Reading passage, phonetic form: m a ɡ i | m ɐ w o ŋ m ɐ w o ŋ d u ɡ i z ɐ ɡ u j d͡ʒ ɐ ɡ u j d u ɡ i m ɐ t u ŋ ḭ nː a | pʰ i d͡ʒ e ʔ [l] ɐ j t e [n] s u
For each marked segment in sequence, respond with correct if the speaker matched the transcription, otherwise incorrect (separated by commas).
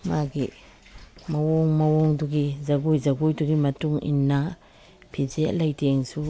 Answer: correct, incorrect